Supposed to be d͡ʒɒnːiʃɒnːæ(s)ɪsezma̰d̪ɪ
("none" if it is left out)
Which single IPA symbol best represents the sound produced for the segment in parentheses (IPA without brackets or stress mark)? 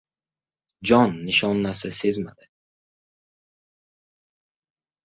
s